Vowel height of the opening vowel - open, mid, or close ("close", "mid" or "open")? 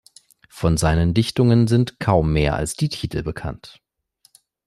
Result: mid